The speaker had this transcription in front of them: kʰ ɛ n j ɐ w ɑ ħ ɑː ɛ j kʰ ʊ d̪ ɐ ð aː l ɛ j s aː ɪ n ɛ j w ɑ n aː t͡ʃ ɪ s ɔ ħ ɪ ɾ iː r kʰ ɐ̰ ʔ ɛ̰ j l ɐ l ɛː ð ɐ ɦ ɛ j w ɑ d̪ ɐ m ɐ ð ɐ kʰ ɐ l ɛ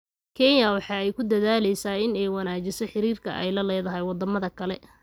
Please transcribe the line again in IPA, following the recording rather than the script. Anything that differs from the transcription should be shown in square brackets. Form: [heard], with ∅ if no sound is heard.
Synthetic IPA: kʰ ɛ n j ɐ w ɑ ħ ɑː ɛ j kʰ ʊ d̪ ɐ ð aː l ɛ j s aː ɪ n ɛ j w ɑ n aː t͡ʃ ɪ s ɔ ħ ɪ ɾ iː r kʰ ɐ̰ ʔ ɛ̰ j l ɐ l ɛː ð ɐ ɦ ɛ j w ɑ d̪ ɐ m ɐ ð ɐ kʰ ɐ l ɛ